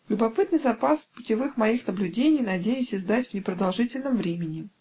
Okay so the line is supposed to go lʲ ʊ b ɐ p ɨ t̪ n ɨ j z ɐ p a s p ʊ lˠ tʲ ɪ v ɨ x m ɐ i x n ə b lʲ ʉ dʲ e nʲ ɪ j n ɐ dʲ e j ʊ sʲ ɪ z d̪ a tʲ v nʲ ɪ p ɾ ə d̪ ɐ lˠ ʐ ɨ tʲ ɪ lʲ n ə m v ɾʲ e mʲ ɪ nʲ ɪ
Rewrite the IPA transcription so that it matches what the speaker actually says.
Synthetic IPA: lʲ ʊ b ɐ p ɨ t̪ n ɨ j z ɐ p a s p ʊ tʲ ɪ v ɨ x m ɐ i x n ə b lʲ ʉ dʲ e nʲ ɪ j n ɐ dʲ e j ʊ sʲ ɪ z d̪ a tʲ v nʲ ɪ p ɾ ə d̪ ɐ lˠ ʐ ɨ tʲ ɪ lʲ n ə m v ɾʲ e mʲ ɪ nʲ ɪ

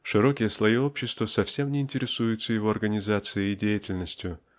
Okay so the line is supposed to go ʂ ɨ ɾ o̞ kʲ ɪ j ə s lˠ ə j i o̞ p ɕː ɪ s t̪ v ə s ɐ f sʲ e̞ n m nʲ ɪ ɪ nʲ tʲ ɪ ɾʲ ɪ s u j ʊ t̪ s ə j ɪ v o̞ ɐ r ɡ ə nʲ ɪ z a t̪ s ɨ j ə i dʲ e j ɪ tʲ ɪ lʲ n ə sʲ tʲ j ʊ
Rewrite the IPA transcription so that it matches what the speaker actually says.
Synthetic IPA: ʂ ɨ ɾ o̞ kʲ ɪ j ə s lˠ ɐ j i o̞ p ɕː ɪ s t̪ v ə s ɐ f sʲ e̞ m nʲ ɪ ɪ nʲ tʲ ɪ ɾʲ ɪ s u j ʊ t̪ s ə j ɪ v o̞ ɐ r ɡ ə nʲ ɪ z a t̪ s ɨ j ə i dʲ e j ɪ tʲ ɪ lʲ n ə sʲ tʲ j ʊ

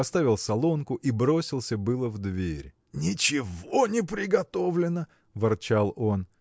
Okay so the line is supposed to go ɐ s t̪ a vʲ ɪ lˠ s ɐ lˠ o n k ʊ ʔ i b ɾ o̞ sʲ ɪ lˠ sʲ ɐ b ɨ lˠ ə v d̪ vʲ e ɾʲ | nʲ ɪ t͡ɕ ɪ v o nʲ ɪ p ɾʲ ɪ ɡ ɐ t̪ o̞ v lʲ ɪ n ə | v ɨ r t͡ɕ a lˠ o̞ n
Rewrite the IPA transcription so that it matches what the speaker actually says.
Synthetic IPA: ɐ s t̪ a vʲ ɪ lˠ s ɐ lˠ o n k ʊ ʔ i b ɾ o̞ sʲ ɪ lˠ sʲ ə b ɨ lˠ ə v d̪ vʲ e ɾʲ | nʲ ɪ t͡ɕ ɪ v o nʲ ɪ p ɾʲ ɪ ɡ ɐ t̪ o̞ v lʲ ɪ n ə | v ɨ r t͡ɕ a lˠ o̞ n

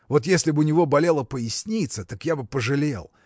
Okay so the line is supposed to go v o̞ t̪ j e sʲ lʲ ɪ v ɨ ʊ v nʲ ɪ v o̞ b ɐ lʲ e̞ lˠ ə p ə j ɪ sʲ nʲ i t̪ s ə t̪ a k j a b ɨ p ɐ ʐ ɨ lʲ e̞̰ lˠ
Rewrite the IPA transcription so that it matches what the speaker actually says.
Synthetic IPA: v o̞ t̪ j e sʲ lʲ ɪ b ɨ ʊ nʲ ɪ v o̞ b ɐ lʲ e̞ lˠ ə p ə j ɪ sʲ nʲ i t̪ s ə t̪ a k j a b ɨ p ə ʐ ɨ lʲ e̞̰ lˠ

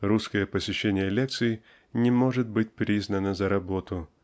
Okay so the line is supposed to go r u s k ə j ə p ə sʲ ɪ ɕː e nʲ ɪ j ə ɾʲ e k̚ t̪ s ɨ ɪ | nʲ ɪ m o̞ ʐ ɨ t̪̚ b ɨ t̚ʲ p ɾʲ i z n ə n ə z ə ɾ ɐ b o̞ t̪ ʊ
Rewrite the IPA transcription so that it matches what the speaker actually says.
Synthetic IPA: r u s k ə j ə p ə sʲ ɪ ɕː e nʲ ɪ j ə lʲ e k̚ t̪ s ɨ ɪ | nʲ ɪ m o̞ ʐ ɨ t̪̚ b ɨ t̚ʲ p ɾʲ i z n ə n ə z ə ɾ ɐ b o̞ t̪ ʊ

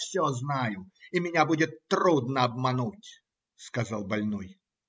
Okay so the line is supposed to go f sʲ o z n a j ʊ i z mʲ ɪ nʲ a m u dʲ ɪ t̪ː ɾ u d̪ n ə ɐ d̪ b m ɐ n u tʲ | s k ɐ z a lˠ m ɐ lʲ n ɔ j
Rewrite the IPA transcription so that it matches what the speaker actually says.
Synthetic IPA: f sʲ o z n a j ʊ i mʲ ɪ nʲ a b u dʲ ɪ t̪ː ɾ u d̪ n ə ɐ b m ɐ n u tʲ | s k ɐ z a lˠ b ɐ lʲ n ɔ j

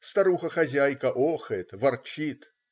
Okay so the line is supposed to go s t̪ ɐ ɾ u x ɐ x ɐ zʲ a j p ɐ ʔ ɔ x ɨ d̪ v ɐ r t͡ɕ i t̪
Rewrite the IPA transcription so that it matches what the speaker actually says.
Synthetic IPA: s t̪ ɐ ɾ u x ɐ x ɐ zʲ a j k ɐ ʔ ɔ x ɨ t̪ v ɐ r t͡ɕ i t̪

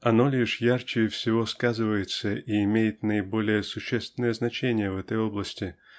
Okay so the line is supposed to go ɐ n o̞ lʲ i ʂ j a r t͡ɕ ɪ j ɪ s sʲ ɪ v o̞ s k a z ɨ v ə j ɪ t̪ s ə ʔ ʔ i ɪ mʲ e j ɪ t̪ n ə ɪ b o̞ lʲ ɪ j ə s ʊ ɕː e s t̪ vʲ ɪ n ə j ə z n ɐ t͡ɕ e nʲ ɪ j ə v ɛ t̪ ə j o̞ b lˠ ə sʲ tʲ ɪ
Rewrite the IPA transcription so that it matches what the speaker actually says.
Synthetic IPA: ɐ n o̞ lʲ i ʂ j a r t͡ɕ ɪ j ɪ f sʲ ɪ v o̞ s k a z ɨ v ə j ɪ t̪ s ə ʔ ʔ i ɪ mʲ e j ɪ t̪ n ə ɪ b o̞ lʲ ɪ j ə s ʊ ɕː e s t̪ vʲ ɪ n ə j ə z n ɐ t͡ɕ e nʲ ɪ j ə v ɛ t̪ ə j o̞ b lˠ ə sʲ tʲ ɪ

